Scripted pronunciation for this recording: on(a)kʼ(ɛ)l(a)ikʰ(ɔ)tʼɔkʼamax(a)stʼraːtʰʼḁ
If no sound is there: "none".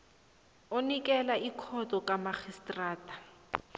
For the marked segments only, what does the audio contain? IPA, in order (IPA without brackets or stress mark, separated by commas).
i, ɛ, a, ɔ, i